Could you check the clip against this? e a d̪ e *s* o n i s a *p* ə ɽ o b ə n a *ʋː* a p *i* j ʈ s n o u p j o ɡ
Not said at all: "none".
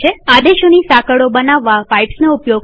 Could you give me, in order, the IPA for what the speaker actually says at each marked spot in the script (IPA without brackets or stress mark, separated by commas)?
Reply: ʃ, k, ʋː, a